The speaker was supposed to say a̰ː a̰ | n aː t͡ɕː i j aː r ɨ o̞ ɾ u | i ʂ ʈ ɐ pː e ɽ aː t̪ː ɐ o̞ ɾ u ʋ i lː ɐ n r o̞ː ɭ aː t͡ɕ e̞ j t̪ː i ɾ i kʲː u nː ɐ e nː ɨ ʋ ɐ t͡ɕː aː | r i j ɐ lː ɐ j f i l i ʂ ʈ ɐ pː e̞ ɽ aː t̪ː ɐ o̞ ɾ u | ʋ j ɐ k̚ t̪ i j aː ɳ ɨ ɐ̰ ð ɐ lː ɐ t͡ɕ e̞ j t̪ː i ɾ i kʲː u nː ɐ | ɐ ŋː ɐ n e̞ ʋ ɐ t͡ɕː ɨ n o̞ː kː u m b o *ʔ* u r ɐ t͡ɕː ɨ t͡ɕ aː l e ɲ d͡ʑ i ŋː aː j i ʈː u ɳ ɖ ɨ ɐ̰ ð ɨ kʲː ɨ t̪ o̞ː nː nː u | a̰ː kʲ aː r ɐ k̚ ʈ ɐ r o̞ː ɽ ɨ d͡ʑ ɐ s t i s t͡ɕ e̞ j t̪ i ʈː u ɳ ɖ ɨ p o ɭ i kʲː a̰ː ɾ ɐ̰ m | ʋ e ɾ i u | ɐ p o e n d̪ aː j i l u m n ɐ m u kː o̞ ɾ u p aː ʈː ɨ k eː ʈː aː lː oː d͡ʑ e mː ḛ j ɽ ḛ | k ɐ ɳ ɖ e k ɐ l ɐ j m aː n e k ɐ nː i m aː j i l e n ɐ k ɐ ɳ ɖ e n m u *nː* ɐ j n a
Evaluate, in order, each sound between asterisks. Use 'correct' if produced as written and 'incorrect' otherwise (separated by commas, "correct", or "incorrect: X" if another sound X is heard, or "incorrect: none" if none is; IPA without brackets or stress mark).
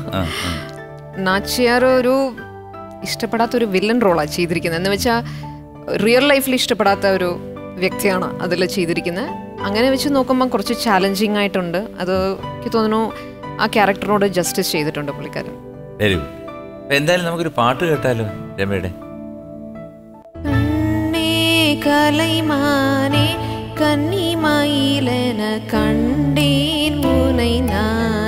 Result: incorrect: k, incorrect: n